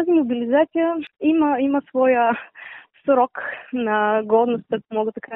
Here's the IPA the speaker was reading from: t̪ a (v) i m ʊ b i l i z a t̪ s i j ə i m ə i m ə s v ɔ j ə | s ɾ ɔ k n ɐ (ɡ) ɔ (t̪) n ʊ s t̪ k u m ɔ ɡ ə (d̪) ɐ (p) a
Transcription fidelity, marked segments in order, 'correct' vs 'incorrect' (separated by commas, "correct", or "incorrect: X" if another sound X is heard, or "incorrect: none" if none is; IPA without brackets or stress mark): incorrect: z, correct, incorrect: d̪, incorrect: t̪, incorrect: k